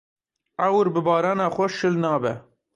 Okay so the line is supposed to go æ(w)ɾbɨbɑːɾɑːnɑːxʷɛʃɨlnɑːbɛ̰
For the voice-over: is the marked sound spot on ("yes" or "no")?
yes